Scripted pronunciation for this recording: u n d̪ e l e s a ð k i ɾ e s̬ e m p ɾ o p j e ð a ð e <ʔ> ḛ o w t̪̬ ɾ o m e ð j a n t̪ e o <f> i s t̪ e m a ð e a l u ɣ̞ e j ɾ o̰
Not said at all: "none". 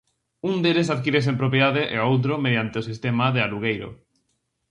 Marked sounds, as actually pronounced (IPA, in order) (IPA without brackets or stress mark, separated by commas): ʔ, s